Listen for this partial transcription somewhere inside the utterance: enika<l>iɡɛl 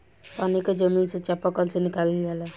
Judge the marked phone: correct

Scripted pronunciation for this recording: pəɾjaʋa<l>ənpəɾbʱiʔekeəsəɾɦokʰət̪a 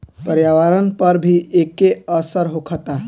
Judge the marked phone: incorrect: ɾ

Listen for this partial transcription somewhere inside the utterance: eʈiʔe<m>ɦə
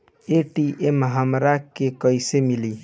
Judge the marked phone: correct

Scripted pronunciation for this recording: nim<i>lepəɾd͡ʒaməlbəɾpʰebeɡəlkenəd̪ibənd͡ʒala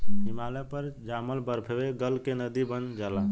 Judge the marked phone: incorrect: a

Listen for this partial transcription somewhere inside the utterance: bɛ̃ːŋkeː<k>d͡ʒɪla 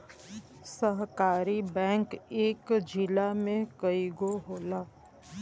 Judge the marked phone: correct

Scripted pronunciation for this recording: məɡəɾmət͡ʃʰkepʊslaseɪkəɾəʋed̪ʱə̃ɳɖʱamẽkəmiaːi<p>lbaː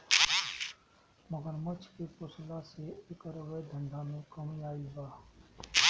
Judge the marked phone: incorrect: none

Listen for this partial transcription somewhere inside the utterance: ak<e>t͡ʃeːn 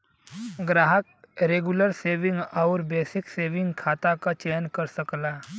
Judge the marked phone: incorrect: a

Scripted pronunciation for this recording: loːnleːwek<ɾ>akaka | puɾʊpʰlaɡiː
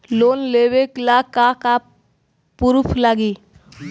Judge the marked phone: incorrect: l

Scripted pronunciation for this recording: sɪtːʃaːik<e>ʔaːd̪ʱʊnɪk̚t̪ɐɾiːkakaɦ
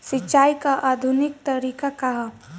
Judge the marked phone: incorrect: a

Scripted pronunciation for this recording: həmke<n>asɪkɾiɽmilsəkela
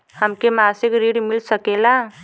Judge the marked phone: incorrect: m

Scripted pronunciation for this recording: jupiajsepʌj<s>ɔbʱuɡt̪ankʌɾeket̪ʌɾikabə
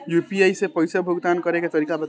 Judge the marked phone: correct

